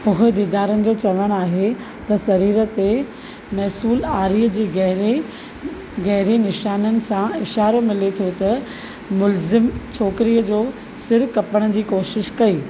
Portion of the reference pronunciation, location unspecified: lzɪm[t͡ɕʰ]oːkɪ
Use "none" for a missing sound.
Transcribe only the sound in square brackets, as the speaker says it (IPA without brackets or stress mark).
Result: t͡ɕʰ